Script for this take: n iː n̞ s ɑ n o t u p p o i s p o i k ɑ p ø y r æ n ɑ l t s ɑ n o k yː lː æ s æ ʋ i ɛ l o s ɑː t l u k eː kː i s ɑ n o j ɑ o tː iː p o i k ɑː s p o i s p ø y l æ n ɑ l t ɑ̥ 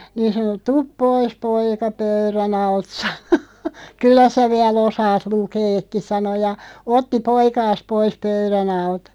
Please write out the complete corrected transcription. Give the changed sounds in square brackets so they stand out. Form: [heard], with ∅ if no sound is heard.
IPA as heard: n iː n̞ s ɑ n o t u p p o i s p o i k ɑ p ø y r æ n ɑ l t s ɑ n o k [y] lː æ s æ ʋ i ɛ l o s ɑː t l u k eː kː i s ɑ n o j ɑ o tː [i] p o i k ɑː s p o i s p ø y [r] æ n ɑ l t ɑ̥

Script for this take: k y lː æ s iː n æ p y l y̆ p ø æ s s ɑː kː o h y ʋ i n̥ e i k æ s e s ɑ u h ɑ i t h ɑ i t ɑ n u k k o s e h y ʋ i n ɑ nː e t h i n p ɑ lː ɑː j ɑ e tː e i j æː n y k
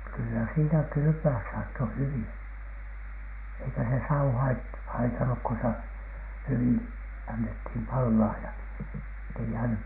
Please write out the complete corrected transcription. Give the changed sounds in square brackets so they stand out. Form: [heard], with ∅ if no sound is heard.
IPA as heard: k y lː æ s iː n æ [k] y l y̆ p ø æ s s ɑː [tː] o h y ʋ i n̥ e i k æ s e s ɑ u h ɑ i t h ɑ i t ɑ n u k k o s e h y ʋ i n ɑ nː e t h i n p ɑ lː ɑː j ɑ e tː e i j æː n y k

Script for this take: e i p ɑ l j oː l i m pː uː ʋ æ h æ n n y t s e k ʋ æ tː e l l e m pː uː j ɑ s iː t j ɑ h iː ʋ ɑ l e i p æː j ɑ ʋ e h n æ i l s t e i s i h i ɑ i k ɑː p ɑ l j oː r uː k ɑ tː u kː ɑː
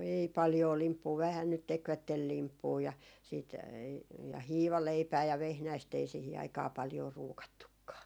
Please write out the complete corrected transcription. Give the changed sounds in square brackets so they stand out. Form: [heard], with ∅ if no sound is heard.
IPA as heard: e i p ɑ l j oː l i m pː uː ʋ æ h æ n n y t [t] e k ʋ æ tː e l l [i] m pː uː j ɑ s iː t j ɑ h iː ʋ ɑ l e i p æː j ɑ ʋ e h n æ i [∅] s t e i s i h i ɑ i k ɑː p ɑ l j oː r uː k ɑ tː u kː ɑː

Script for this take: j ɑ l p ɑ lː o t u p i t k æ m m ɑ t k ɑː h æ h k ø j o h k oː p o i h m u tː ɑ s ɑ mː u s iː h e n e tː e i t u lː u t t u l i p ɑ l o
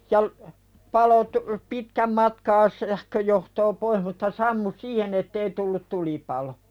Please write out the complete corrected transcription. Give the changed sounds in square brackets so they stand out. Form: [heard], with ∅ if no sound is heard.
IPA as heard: j ɑ l p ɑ [l] o t u p i t k æ m m ɑ t k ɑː [s] æ h k ø j o h [t] oː p o i h m u tː ɑ s ɑ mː u s iː h e n e tː e i t u lː u t t u l i p ɑ l o

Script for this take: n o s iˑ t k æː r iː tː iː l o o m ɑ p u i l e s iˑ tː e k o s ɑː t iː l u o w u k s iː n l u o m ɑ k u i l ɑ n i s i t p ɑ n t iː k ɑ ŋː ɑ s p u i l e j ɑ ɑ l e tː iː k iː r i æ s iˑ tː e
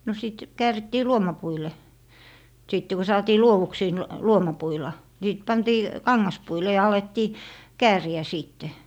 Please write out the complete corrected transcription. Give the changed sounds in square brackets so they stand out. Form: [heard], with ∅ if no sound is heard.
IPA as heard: n o s iˑ t k æː r [i] tː iː l [u] o m ɑ p u i l e s iˑ tː e k o s ɑː t iː l u o w u k s iː n l u o m ɑ [p] u i l ɑ n i s i t p ɑ n t iː k ɑ ŋː ɑ s p u i l e j ɑ ɑ l e tː iː k [æː] r i æ s iˑ tː e

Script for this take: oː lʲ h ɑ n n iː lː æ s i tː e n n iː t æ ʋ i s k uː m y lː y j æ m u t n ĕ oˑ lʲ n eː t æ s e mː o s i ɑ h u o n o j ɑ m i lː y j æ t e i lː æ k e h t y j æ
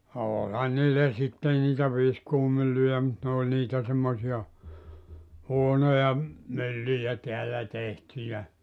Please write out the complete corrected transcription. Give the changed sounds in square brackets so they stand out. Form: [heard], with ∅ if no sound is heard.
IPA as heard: oː lʲ h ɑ n n iː lː æ s i tː e n n iː t æ ʋ i s k uː m y lː y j æ m u t n ĕ oˑ lʲ n [iː] t æ s e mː o s i ɑ h u o n o j ɑ m [y] lː y j æ t e [æ] lː æ [t] e h t y j æ

